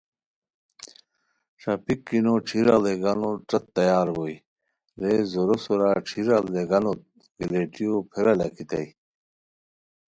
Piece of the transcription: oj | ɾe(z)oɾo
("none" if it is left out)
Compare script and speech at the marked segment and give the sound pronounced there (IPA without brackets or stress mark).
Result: z